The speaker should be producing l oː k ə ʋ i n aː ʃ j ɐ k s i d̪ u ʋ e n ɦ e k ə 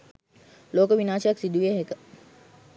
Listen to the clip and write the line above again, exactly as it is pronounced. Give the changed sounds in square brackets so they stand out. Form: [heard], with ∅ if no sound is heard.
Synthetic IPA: l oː k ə ʋ i n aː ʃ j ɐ k s i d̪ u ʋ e [∅] ɦ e k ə